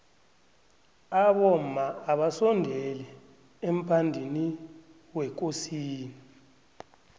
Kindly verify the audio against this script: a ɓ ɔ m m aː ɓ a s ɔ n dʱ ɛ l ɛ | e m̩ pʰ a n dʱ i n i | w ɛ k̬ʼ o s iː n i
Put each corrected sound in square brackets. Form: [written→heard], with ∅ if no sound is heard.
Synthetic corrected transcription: a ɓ ɔ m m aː ɓ a s ɔ n dʱ ɛ l ɛ | e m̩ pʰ a n dʱ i n i | w ɛ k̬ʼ o s iː n i